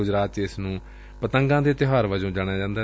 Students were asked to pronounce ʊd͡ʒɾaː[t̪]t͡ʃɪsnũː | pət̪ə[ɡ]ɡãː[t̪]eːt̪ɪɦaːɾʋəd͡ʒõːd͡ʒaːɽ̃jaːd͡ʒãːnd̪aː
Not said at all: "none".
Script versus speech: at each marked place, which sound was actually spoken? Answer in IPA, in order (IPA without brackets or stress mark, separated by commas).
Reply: t̪, ŋ, d̪